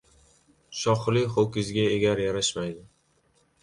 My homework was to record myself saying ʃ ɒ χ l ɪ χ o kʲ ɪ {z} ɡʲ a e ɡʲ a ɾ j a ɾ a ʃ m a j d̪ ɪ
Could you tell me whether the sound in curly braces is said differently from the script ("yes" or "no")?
no